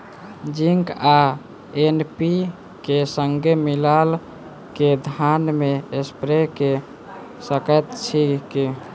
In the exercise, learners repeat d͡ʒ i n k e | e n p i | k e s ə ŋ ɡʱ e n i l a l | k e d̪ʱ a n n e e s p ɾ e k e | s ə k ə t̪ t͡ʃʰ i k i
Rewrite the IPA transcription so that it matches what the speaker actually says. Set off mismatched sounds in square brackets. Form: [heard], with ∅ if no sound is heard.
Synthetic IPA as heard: d͡ʒ i [ŋ] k [a] | e n p i | k e s ə ŋ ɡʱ e [m] i l a l | k e d̪ʱ a n [m] e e s p ɾ e k e | s ə k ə t̪ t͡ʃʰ i k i